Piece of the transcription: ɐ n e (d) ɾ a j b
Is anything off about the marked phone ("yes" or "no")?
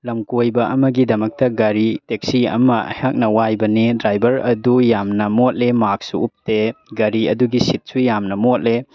no